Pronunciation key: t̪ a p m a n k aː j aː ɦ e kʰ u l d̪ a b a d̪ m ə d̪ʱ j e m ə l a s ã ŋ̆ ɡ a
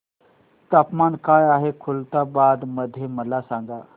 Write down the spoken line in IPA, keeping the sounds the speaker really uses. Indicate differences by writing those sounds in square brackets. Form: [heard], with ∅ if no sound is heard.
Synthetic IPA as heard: t̪ a p m a n k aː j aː ɦ e kʰ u l [t̪] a b a d̪ m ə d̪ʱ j e m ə l a s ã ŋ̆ ɡ a